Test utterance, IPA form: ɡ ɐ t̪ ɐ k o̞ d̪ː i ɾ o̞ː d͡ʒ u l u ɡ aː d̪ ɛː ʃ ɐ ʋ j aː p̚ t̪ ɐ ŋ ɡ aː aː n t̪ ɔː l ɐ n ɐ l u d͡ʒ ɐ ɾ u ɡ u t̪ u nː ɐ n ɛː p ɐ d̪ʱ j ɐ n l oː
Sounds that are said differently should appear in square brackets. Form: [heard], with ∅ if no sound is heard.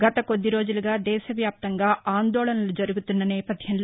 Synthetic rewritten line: ɡ ɐ t̪ ɐ k o̞ d̪ː i ɾ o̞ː d͡ʒ u l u ɡ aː d̪ ɛː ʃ ɐ ʋ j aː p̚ t̪ ɐ ŋ ɡ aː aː n [d̪] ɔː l ɐ n ɐ l u d͡ʒ ɐ ɾ u ɡ u t̪ u nː ɐ n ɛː p ɐ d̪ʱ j ɐ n l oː